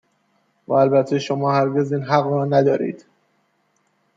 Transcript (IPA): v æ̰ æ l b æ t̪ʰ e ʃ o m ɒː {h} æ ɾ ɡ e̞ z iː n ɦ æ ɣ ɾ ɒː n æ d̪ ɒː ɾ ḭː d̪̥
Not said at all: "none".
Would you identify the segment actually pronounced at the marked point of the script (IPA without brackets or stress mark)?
h